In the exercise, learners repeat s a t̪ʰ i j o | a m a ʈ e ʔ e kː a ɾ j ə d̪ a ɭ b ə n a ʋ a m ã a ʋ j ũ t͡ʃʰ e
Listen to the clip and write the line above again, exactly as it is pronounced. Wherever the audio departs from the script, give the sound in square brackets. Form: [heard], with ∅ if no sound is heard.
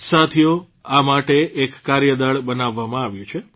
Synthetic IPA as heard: s a t̪ʰ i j o | a m a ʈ e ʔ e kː a ɾ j ə d̪ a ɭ b ə n a [ʋː] a m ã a ʋ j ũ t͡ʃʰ e